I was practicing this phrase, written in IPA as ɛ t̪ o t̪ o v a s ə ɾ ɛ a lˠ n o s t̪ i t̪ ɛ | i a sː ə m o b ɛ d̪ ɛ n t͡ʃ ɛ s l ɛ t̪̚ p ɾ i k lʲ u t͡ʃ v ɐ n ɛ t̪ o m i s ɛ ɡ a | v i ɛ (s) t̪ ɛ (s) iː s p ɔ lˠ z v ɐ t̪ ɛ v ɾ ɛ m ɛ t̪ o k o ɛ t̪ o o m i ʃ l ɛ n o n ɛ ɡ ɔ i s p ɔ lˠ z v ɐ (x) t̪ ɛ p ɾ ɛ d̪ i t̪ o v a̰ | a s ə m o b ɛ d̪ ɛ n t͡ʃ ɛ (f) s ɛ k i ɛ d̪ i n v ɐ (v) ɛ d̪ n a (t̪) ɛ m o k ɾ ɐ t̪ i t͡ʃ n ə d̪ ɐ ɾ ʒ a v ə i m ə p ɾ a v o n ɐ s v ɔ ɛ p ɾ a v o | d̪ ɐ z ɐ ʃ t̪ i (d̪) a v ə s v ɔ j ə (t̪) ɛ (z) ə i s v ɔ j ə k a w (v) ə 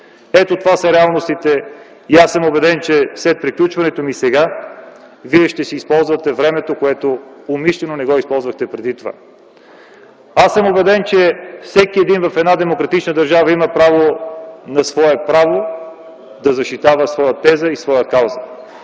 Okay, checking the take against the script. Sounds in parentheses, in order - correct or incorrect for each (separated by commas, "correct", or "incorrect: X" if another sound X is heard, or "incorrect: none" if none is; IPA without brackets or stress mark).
incorrect: ʃ, correct, correct, correct, incorrect: f, incorrect: d̪, incorrect: t̪, correct, correct, incorrect: z